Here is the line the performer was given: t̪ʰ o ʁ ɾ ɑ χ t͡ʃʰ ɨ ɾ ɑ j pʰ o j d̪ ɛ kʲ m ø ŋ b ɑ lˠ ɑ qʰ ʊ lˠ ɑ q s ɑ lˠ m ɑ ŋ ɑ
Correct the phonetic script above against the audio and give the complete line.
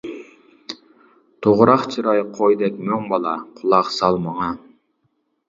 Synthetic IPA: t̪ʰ o ʁ ɾ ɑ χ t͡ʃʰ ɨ ɾ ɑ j qʰ o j d̪ ɛ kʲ m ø ŋ b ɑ lˠ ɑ qʰ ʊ lˠ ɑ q s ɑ lˠ m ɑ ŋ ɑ